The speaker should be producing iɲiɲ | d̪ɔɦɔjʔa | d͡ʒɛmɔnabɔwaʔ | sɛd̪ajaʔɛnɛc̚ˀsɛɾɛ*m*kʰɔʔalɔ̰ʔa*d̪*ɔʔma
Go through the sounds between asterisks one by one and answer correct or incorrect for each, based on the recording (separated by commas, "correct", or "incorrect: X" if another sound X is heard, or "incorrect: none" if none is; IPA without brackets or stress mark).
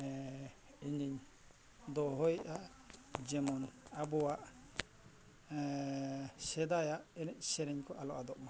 incorrect: ɲ, correct